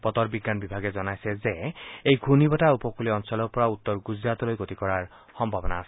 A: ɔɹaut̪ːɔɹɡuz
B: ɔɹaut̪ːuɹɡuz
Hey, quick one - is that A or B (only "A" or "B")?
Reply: A